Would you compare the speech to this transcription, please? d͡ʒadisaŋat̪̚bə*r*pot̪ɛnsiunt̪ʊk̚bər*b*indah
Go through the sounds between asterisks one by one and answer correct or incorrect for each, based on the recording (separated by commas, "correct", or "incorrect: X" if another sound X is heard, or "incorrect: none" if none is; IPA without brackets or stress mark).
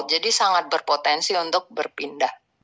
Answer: correct, incorrect: p